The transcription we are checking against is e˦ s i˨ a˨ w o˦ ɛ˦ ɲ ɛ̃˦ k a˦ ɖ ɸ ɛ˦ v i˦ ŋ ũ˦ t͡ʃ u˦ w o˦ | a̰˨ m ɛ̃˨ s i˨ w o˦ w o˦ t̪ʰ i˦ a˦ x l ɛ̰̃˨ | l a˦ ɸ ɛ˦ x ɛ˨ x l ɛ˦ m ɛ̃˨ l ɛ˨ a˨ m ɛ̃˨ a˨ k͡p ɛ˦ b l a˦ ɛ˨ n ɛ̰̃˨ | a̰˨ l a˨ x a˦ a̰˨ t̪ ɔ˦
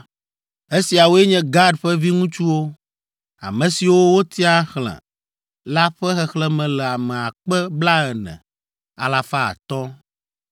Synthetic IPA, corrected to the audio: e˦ s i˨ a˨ w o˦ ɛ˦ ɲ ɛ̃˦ ɡ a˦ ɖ ɸ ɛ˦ v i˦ ŋ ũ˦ t͡ʃ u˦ w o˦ | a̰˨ m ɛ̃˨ s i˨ w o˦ w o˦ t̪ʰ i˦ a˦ x l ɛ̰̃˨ | l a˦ ɸ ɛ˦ x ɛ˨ x l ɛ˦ m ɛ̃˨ l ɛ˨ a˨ m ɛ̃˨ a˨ k͡p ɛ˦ b l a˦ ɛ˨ n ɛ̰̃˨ | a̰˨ l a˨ f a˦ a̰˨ t̪ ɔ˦